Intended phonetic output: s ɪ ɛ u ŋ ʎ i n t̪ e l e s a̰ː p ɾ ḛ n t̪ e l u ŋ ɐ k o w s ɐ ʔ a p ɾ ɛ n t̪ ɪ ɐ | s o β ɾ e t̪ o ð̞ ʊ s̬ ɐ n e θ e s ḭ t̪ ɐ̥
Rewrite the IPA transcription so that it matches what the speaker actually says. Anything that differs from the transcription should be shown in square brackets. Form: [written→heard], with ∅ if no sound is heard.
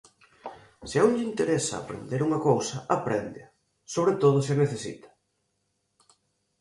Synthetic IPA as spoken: s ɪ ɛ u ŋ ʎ i n t̪ e [l→ɾ] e s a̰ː p ɾ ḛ n [t̪→d̪] e [l→ɾ] u ŋ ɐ k o w s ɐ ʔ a p ɾ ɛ n [t̪→d̪] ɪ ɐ | s o β ɾ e t̪ o ð̞ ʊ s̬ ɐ n e θ e s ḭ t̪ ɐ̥